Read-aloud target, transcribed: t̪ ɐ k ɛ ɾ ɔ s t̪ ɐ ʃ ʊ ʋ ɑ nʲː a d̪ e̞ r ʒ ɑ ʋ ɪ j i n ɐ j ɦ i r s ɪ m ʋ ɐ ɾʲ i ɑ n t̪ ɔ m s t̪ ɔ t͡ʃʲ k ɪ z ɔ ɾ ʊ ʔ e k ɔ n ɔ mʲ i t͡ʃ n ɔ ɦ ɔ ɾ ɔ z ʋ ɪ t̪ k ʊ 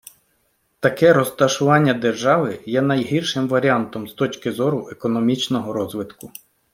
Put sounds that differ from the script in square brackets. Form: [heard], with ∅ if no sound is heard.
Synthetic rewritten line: t̪ ɐ k ɛ ɾ ɔ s t̪ ɐ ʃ ʊ ʋ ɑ nʲː [ɐ] d̪ e̞ r ʒ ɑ ʋ ɪ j [ɛ] n ɐ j ɦ i r [ʃ] ɪ m ʋ ɐ ɾʲ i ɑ n t̪ ɔ m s t̪ ɔ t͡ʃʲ k ɪ z ɔ ɾ ʊ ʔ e k ɔ n ɔ mʲ i t͡ʃ n ɔ ɦ ɔ ɾ ɔ z ʋ ɪ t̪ k ʊ